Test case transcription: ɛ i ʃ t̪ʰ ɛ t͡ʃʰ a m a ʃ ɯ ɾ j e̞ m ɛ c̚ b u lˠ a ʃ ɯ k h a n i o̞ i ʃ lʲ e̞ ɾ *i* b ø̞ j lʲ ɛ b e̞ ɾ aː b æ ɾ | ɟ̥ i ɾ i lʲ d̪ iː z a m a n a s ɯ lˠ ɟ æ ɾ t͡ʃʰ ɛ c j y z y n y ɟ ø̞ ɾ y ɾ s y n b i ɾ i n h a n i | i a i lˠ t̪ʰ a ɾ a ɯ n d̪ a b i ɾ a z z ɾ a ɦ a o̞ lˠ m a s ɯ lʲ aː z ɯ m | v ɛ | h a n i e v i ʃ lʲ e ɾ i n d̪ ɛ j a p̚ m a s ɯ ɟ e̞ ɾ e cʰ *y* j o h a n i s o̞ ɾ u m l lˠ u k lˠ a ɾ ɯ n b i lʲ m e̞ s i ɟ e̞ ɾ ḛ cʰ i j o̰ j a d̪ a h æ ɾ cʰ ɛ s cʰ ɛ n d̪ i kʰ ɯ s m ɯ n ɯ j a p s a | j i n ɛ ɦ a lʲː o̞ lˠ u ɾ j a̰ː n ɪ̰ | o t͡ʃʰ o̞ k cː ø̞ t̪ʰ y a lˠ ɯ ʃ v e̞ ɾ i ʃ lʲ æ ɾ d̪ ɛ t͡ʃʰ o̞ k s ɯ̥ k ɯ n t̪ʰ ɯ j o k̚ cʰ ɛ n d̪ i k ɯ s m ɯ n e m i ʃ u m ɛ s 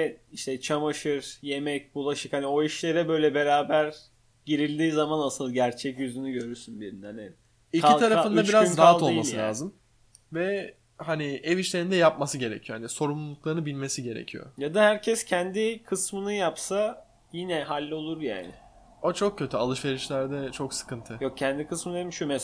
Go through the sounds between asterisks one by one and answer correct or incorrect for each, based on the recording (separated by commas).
incorrect, incorrect